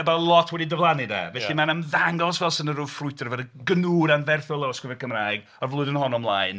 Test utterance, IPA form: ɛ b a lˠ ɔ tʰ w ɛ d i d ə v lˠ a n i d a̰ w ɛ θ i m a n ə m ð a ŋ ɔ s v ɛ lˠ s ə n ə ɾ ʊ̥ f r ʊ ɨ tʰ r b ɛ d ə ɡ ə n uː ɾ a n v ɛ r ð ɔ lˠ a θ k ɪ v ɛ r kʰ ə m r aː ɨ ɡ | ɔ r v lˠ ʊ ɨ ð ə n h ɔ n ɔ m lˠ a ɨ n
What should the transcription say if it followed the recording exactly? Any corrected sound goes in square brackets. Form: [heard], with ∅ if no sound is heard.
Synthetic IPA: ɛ b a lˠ ɔ tʰ w ɛ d i d ə v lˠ a n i d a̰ [v] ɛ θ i m a n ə m ð a ŋ ɔ s v ɛ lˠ s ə n ə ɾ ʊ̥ f r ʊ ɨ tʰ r [v] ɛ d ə ɡ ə n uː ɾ a n v ɛ r [θ] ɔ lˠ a [s] k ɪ v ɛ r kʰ ə m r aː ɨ ɡ | ɔ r v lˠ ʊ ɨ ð ə n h ɔ n ɔ m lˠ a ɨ n